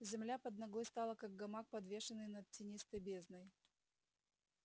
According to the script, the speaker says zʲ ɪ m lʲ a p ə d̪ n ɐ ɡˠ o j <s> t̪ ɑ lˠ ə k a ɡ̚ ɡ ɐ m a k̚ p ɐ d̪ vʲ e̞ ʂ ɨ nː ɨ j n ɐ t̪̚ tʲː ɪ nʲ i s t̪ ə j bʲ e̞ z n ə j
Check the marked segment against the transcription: correct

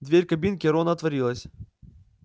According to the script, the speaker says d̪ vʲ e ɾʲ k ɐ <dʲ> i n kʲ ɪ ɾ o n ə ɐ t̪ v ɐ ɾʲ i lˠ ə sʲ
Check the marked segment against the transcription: incorrect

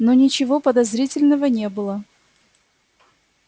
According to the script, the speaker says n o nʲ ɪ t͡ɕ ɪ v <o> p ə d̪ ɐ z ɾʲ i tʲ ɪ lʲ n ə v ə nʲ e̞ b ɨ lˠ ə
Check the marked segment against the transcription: correct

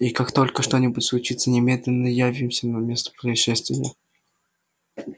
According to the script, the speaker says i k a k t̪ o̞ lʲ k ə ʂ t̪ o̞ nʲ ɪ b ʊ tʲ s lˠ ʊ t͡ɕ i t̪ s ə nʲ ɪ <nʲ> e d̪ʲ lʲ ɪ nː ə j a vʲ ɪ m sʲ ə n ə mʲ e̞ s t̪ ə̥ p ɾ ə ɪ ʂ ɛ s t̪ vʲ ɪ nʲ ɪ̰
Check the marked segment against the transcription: incorrect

